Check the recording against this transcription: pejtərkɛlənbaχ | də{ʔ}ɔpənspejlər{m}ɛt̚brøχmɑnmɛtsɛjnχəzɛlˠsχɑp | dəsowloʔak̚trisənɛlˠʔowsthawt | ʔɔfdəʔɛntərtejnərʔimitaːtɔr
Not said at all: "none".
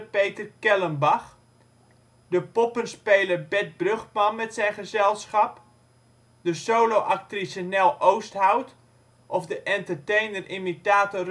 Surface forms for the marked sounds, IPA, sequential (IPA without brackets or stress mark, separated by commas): p, b